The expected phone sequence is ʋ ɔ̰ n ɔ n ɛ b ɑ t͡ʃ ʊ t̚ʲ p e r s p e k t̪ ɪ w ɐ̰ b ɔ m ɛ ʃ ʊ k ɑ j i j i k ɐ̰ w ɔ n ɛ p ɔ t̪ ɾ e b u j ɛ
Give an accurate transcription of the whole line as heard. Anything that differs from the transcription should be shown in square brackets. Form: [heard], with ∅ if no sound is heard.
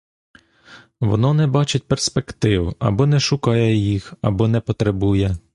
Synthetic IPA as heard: ʋ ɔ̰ n ɔ n ɛ b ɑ t͡ʃ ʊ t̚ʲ p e r s p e k t̪ ɪ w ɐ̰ b ɔ [n] ɛ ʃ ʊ k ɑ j [ɛ] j i [x] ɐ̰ [b] ɔ n ɛ p ɔ t̪ ɾ e b u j ɛ